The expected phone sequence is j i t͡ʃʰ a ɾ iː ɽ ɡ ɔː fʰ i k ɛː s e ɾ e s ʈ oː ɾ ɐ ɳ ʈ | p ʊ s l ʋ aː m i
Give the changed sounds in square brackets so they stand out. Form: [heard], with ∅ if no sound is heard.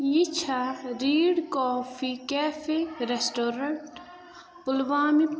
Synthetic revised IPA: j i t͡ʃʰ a ɾ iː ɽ [k] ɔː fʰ i k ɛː [f] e ɾ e s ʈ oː ɾ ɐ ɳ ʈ | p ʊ [∅] l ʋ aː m i